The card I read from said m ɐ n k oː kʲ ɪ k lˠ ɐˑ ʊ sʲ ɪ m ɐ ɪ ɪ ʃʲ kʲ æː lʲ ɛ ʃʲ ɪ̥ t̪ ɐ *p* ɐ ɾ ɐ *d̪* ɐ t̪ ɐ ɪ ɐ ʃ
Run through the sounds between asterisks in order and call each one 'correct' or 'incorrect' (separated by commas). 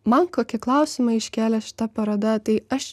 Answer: correct, correct